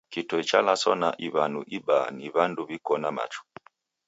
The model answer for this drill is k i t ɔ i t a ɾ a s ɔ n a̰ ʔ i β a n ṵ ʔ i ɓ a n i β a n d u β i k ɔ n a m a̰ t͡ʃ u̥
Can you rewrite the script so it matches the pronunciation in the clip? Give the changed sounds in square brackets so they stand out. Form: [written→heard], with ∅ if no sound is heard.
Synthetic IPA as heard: k i t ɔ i [t→t͡ʃ] a [ɾ→l] a s ɔ n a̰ ʔ i β a n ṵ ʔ i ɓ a n i β a n d u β i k ɔ n a m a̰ t͡ʃ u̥

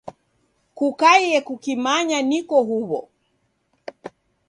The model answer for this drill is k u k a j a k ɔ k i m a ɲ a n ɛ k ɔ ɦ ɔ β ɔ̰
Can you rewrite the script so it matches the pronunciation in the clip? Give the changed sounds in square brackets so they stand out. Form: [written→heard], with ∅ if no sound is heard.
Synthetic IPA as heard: k u k a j [a→ɛ] k [ɔ→u] k i m a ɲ a n [ɛ→i] k ɔ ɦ [ɔ→u] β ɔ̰

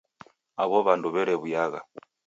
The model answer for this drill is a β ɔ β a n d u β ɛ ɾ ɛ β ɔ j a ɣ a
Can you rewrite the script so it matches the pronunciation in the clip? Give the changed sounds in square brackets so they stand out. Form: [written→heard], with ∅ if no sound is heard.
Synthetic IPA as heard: a β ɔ β a n d u β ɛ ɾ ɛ β [ɔ→u] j a ɣ a

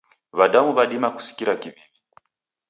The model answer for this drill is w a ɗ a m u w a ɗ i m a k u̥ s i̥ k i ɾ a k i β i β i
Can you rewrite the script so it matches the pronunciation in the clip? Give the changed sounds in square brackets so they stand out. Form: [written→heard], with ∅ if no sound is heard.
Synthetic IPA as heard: [w→β] a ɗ a m u [w→β] a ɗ i m a k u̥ s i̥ k i ɾ a k i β i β i

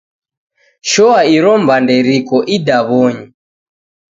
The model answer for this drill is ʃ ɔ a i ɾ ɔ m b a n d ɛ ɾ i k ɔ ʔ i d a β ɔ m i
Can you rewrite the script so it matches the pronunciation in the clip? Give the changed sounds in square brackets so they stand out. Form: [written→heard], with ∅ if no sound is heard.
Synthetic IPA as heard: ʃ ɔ a i ɾ ɔ m b a n d ɛ ɾ i k ɔ ʔ i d a β ɔ [m→ɲ] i

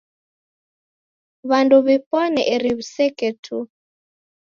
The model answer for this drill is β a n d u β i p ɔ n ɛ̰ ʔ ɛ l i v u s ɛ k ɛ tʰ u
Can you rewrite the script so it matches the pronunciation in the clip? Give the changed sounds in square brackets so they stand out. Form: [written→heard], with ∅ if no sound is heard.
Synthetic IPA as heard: β a n d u β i p ɔ n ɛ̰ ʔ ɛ [l→ɾ] i [v→β] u s ɛ k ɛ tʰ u

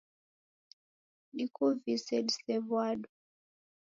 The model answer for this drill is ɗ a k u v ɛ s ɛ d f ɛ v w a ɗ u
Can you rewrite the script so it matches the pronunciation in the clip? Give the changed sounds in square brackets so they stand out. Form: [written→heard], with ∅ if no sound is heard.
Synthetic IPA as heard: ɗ [a→i] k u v [ɛ→i] s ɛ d [f→s] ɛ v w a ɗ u

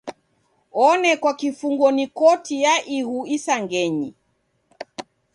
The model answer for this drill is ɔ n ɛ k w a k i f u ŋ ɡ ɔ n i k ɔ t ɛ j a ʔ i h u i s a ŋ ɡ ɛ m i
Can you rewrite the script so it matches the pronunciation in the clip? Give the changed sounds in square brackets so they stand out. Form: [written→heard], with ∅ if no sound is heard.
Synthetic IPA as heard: ɔ n ɛ k w a k i f u ŋ ɡ ɔ n i k ɔ t [ɛ→i] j a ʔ i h u i s a ŋ ɡ ɛ [m→ɲ] i

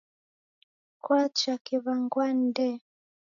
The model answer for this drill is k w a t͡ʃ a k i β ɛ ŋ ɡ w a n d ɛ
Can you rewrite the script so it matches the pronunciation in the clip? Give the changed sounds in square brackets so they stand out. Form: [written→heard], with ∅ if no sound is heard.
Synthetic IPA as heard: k w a t͡ʃ a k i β [ɛ→a] ŋ ɡ w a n d ɛ

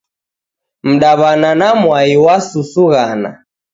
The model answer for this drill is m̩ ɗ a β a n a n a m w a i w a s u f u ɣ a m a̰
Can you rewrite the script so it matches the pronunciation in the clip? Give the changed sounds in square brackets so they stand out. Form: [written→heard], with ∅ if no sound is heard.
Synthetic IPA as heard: m̩ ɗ a β a n a n a m w a i w a s u [f→s] u ɣ a [m→n] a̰

